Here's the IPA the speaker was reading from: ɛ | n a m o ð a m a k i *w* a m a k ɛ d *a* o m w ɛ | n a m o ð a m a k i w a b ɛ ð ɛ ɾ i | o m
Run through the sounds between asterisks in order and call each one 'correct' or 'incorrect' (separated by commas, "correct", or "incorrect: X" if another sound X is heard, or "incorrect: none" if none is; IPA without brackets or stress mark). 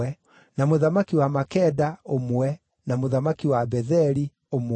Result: correct, correct